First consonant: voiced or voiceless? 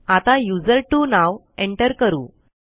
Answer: voiceless